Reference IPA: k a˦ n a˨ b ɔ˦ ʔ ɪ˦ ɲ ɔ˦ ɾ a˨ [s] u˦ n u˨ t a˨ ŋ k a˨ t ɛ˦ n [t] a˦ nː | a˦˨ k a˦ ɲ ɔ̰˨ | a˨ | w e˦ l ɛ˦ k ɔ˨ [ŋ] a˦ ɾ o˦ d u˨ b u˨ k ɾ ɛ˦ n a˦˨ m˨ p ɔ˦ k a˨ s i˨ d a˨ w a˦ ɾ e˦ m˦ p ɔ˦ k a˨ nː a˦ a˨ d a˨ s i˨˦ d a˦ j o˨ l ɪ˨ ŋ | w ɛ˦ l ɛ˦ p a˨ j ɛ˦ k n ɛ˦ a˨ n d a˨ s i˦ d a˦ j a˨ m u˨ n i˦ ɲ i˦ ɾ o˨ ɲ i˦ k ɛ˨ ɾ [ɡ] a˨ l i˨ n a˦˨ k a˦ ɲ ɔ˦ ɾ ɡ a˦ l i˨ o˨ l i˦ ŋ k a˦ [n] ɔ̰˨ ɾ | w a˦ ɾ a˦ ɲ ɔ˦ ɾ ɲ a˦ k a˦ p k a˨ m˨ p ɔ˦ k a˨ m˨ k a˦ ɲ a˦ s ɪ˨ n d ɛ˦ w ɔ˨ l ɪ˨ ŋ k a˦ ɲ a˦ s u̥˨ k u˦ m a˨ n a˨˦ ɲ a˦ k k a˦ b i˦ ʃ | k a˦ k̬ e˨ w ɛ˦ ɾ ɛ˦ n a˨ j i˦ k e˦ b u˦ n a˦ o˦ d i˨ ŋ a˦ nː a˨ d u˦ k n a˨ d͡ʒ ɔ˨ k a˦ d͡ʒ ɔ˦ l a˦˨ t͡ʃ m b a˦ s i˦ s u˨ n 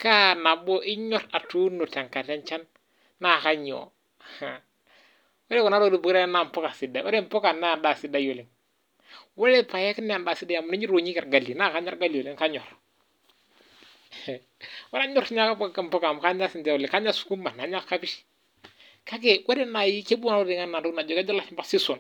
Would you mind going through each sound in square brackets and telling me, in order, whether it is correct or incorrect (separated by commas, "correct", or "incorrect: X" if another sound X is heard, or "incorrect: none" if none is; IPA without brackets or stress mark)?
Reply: incorrect: t, incorrect: t͡ʃ, incorrect: n, correct, incorrect: ɲ